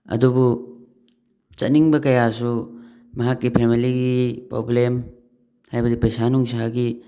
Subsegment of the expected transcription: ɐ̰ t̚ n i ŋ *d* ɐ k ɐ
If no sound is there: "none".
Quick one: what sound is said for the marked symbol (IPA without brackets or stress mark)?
b